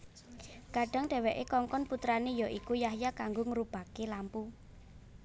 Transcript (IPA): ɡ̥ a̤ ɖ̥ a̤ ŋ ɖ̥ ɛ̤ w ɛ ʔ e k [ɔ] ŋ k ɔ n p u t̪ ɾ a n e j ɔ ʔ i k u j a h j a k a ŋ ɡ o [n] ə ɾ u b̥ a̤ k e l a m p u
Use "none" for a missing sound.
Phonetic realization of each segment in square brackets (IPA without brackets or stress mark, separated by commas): ɔ, ŋ